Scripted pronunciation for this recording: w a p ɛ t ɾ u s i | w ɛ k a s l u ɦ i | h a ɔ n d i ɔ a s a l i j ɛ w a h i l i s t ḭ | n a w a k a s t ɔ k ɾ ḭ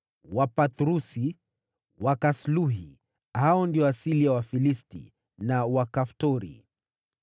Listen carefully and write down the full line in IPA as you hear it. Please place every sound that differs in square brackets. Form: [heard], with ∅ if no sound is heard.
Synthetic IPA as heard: w a p [a] t ɾ u s i | w [a] k a s l u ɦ i | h a ɔ n d i ɔ a s [i] l i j [a] w a [f] i l i s t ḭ | n a w a k a [f] t ɔ [∅] ɾ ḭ